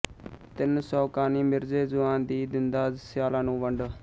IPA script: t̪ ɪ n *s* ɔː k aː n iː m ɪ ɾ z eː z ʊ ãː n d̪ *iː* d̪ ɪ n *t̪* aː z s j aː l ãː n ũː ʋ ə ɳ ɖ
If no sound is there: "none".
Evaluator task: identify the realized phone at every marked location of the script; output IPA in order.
s, iː, d̪

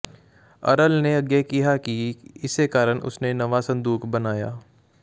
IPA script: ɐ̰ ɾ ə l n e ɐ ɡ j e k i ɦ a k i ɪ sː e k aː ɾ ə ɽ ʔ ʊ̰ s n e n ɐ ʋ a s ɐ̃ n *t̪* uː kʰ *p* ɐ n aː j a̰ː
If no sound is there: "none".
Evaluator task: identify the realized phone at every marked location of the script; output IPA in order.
d̪, b

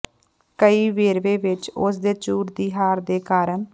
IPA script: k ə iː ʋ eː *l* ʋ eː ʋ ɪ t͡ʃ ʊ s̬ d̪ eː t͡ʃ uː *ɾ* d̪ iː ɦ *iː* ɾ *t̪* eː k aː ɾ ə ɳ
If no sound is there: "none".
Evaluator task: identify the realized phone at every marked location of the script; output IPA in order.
ɾ, ɾ, aː, d̪

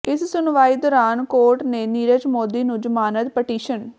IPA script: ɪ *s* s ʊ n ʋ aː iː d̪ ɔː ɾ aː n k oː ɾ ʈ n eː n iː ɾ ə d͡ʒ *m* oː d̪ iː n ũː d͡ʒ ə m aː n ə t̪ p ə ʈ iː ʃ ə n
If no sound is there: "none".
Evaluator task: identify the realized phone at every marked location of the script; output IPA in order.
s, m

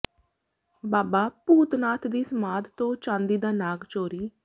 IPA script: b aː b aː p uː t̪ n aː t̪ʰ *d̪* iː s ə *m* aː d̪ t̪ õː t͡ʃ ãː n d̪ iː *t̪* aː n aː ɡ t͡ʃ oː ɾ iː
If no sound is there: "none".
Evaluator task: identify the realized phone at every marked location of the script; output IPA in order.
d̪, m, d̪

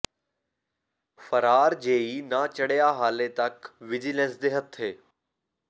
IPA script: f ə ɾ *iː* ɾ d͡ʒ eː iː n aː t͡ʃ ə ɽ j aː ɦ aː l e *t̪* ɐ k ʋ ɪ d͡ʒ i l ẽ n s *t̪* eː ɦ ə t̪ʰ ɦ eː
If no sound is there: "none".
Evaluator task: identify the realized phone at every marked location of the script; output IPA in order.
aː, t̪, d̪

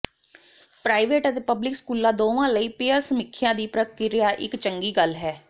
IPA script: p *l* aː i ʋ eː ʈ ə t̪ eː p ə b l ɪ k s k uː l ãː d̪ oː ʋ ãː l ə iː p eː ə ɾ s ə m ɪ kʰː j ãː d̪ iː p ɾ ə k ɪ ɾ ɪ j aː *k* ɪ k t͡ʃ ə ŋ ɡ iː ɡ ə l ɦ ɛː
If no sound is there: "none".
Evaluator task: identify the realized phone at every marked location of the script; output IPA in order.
ɾ, ʔ

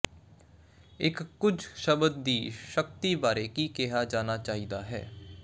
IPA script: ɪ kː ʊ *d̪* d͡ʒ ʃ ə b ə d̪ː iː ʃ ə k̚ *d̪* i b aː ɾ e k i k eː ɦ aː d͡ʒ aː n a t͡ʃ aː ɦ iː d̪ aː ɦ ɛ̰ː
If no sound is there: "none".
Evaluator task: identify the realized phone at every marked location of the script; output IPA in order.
none, t̪

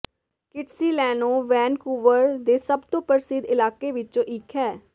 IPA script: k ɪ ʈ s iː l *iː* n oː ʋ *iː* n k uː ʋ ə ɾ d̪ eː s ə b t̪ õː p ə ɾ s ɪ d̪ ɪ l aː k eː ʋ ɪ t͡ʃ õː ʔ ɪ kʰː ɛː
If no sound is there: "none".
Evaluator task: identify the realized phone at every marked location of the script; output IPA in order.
ɛː, ɛː

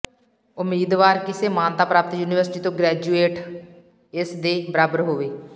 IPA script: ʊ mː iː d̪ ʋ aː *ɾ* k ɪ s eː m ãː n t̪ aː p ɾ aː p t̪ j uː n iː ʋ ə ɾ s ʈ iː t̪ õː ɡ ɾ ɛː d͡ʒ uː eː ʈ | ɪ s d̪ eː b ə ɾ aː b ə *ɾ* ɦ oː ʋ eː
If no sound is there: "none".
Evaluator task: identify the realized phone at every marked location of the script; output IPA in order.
ɾ, ɾ

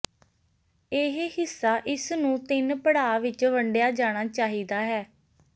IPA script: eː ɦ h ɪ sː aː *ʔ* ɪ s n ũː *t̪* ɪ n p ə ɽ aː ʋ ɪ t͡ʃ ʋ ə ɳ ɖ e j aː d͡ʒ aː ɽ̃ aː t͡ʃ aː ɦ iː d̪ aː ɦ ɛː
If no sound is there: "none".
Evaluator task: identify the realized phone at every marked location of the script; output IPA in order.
ʔ, t̪

